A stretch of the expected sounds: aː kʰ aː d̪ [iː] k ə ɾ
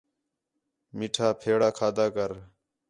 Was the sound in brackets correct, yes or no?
no